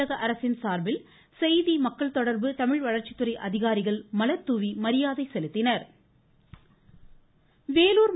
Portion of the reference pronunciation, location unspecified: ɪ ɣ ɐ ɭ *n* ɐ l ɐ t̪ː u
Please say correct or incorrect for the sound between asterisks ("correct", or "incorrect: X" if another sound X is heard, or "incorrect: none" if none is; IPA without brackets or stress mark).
incorrect: m